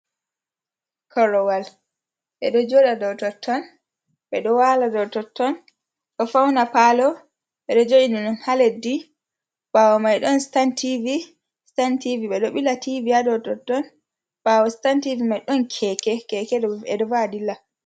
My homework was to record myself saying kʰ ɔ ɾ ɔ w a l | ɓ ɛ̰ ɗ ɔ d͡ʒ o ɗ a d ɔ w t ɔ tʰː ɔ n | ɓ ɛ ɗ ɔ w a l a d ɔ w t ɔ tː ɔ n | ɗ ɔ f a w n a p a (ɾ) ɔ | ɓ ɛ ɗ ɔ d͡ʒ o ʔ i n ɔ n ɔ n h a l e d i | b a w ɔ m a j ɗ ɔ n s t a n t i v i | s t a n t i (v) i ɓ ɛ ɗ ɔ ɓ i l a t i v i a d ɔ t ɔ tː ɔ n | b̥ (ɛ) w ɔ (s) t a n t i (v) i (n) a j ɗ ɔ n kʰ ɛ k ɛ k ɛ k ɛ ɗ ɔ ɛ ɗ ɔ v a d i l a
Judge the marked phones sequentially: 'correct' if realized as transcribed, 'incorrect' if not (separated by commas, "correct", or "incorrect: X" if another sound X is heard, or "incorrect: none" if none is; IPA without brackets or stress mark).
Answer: incorrect: l, correct, incorrect: a, correct, correct, incorrect: m